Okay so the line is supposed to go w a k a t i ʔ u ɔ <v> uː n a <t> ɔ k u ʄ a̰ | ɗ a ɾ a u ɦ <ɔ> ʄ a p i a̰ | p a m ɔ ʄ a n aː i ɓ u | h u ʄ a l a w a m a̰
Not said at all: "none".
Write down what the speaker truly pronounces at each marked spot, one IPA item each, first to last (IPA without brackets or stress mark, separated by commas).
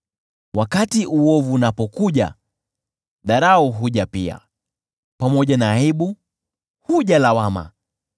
v, p, u